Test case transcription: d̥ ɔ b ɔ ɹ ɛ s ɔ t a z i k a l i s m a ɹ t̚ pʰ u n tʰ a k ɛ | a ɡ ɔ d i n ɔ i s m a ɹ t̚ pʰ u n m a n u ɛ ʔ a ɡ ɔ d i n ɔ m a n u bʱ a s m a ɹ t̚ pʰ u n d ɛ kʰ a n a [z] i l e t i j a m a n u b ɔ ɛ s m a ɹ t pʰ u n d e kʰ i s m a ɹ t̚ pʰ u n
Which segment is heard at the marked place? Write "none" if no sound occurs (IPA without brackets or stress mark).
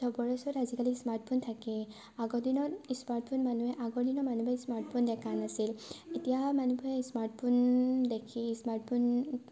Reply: s